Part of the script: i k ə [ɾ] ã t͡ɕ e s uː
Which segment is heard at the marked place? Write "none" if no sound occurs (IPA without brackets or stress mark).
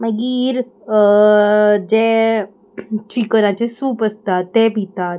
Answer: ɾ